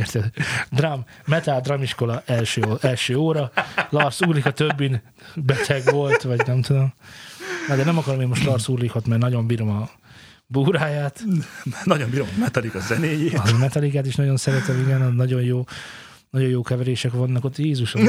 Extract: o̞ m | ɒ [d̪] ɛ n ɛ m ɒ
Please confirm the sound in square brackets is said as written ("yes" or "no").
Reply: yes